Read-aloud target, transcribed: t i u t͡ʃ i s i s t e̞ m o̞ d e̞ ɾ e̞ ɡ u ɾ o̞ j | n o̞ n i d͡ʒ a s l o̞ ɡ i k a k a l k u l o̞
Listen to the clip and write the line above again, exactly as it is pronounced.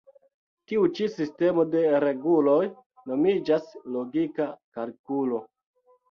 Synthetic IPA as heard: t i u t͡ʃ i s i s t e̞ m o̞ d e̞ ɾ e̞ ɡ u l o̞ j | n o̞ m i d͡ʒ a s l o̞ ɡ i k a k a l k u l o̞

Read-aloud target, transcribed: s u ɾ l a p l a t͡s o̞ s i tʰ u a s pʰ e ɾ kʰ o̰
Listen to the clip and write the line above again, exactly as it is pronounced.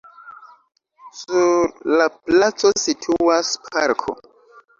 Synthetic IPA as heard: s u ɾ l a p l a t͡s o̞ s i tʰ u a s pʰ a ɾ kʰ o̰

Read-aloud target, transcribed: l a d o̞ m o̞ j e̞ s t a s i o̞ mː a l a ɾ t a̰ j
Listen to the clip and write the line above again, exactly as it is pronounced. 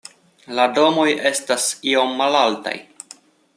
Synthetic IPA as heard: l a d o̞ m o̞ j e̞ s t a s i o̞ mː a l a l t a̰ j

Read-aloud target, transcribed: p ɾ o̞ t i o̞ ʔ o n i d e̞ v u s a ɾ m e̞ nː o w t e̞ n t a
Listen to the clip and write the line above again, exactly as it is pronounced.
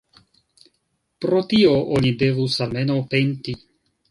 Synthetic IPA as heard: p ɾ o̞ t i o̞ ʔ o n i d e̞ v u s a l m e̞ n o w p e̞ n t i

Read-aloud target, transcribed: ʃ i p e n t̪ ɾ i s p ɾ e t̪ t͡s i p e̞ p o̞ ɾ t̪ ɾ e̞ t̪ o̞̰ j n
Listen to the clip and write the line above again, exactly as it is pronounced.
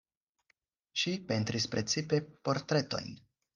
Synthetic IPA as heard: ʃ i p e n t̪ ɾ i s p ɾ e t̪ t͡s i p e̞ p o̞ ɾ t̪ ɾ e̞ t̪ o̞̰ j n

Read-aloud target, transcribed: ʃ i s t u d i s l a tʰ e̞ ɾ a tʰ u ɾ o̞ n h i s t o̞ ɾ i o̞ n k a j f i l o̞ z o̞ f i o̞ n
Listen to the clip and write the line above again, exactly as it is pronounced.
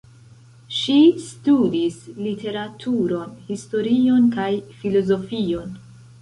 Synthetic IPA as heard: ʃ i s t u d i s l i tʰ e̞ ɾ a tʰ u ɾ o̞ n h i s t o̞ ɾ i o̞ n k a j f i l o̞ z o̞ f i o̞ n

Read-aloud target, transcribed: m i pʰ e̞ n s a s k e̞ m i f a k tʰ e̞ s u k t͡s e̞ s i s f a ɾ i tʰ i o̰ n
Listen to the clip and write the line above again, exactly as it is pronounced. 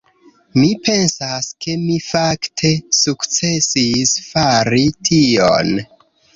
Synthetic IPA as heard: m i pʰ e̞ n s a s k e̞ m i f a k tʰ e̞ s u k t͡s e̞ s i s f a ɾ i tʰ i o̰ n

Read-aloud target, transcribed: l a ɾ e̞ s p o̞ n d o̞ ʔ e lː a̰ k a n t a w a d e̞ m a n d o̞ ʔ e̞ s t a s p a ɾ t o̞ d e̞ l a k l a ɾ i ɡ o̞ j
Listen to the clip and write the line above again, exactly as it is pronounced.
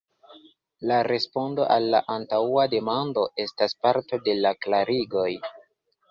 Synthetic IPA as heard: l a ɾ e̞ s p o̞ n d o̞ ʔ a lː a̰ ʔ a n t a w a d e̞ m a n d o̞ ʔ e̞ s t a s p a ɾ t o̞ d e̞ l a k l a ɾ i ɡ o̞ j

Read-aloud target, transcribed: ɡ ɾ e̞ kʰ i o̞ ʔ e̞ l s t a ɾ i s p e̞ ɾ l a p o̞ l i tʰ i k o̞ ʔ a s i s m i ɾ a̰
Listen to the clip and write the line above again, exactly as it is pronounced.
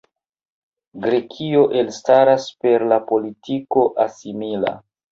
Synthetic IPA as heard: ɡ ɾ e̞ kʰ i o̞ ʔ e̞ l s t a ɾ a s p e̞ ɾ l a p o̞ l i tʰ i k o̞ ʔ a s i m i l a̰

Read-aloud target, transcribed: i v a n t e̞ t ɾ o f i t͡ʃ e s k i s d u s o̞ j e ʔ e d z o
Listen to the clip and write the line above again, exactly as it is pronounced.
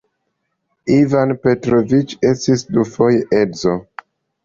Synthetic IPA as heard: i v a n p e̞ t ɾ o v i t͡ʃ e s t i s d u f o̞ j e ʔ e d z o

